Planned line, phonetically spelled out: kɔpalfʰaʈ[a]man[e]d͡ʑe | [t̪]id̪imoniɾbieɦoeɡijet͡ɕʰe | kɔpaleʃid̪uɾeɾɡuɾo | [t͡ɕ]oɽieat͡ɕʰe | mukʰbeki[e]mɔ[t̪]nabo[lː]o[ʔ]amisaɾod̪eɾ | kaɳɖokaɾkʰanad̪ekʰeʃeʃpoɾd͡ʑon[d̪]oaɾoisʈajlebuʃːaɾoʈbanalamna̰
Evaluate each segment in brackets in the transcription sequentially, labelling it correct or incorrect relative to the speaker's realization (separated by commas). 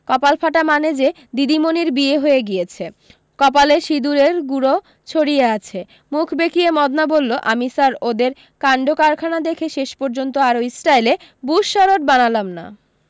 correct, correct, incorrect, incorrect, correct, incorrect, correct, correct, incorrect